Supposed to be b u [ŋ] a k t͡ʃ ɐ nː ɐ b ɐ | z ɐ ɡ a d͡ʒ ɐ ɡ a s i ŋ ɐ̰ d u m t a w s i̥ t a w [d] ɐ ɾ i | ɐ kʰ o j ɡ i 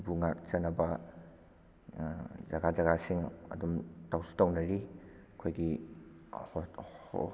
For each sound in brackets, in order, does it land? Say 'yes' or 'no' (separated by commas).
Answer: yes, no